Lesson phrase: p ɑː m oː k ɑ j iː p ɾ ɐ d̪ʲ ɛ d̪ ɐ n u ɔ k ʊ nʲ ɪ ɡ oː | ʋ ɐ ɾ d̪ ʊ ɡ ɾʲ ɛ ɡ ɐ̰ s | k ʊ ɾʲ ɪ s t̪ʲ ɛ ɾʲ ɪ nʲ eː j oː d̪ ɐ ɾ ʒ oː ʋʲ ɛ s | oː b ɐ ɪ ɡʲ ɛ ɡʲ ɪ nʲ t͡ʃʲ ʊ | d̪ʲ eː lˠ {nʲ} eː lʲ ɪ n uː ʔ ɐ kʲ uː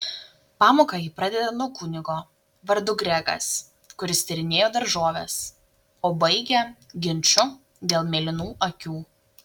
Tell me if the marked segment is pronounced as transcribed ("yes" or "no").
no